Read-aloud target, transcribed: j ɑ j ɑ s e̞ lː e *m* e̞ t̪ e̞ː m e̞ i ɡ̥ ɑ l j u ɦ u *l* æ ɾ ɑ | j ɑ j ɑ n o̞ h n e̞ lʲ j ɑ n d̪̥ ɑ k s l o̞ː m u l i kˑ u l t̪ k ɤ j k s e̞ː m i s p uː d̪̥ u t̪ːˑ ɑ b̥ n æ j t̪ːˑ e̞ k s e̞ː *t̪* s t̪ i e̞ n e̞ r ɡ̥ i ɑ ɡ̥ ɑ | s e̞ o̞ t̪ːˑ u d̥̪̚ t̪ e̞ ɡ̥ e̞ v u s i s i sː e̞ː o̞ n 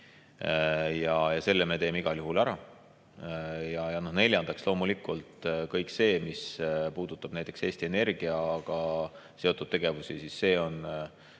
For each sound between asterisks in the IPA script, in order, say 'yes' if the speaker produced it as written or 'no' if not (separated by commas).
yes, yes, no